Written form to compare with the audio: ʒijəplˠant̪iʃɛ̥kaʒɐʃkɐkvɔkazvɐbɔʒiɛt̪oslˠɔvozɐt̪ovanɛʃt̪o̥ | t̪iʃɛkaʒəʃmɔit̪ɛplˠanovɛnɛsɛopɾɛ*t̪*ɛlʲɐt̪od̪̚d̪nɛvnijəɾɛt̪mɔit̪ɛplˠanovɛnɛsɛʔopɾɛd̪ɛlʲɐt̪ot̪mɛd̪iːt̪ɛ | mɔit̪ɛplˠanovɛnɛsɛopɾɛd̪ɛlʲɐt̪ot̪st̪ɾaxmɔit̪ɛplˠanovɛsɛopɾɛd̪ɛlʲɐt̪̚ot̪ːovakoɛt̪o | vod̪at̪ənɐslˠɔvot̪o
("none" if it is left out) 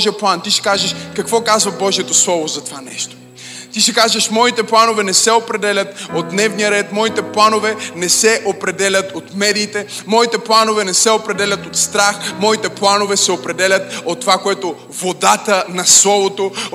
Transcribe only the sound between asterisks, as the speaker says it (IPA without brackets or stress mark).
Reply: d̪